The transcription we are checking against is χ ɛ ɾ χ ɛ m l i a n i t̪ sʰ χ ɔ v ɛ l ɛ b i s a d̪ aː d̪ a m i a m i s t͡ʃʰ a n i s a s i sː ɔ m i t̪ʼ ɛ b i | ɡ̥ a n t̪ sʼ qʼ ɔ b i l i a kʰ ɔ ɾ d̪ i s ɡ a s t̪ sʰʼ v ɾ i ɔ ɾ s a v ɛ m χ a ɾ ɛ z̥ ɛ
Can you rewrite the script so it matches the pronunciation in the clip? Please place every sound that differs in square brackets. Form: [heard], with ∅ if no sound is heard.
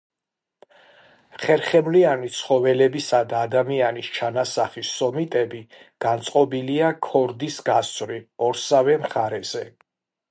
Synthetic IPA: χ ɛ ɾ χ ɛ m l i a n i t̪ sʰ χ ɔ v ɛ l ɛ b i s a d̪ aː d̪ a m i a [n] i s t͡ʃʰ a n [a] s a [χ] i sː ɔ m i t̪ʼ ɛ b i | ɡ̥ a n t̪ sʼ qʼ ɔ b i l i a kʰ ɔ ɾ d̪ i s ɡ a s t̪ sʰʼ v ɾ i ɔ ɾ s a v ɛ m χ a ɾ ɛ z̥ ɛ